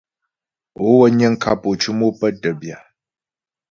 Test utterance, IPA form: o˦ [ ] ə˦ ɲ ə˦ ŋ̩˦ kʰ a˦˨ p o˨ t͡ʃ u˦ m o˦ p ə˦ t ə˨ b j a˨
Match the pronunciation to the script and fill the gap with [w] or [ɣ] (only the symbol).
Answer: w